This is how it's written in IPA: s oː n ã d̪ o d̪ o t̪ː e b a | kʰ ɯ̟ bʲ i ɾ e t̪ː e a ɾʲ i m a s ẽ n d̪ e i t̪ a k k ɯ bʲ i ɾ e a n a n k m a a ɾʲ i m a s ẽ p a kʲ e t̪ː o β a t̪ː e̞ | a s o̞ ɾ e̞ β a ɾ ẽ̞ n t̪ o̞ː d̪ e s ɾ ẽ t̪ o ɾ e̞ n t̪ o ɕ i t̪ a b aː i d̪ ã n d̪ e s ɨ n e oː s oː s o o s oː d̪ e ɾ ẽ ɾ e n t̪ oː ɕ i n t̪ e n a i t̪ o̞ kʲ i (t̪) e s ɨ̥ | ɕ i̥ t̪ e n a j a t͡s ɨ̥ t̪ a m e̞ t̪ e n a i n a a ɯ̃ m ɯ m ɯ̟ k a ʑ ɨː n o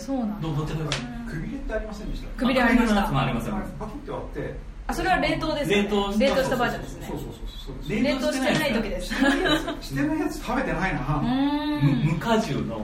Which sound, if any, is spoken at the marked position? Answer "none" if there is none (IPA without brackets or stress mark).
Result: d̪